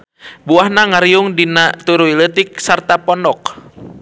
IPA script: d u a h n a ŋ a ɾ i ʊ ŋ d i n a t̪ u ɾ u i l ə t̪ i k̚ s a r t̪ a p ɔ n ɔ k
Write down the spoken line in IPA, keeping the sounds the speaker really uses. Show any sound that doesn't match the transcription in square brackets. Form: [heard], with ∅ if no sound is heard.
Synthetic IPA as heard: [b] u a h n a ŋ a ɾ i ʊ ŋ d i n a t̪ u ɾ u i l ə t̪ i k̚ s a r t̪ a p ɔ n ɔ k